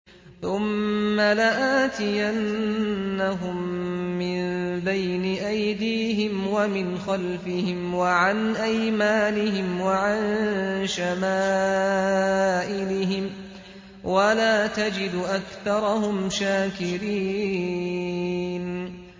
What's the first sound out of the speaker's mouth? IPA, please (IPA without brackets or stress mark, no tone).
θ